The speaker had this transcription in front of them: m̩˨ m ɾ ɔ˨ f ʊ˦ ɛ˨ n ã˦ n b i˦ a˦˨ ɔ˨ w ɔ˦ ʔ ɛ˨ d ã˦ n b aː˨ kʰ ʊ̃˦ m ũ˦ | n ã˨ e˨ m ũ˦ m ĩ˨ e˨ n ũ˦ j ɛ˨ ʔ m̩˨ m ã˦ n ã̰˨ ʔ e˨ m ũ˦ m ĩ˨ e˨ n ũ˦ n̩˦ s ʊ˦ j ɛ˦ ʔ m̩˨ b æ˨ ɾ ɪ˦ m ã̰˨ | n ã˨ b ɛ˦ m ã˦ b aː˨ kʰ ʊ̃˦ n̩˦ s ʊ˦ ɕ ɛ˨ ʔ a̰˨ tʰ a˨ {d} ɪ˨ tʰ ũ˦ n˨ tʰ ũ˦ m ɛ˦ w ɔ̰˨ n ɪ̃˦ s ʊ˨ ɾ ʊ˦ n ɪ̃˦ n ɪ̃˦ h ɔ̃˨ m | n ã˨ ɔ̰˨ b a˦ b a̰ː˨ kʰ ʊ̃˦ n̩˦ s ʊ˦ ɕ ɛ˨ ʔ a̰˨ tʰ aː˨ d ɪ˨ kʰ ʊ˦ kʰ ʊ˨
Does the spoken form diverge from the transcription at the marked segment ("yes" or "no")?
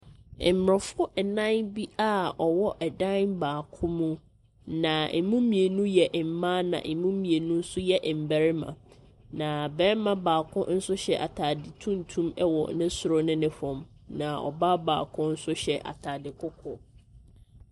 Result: no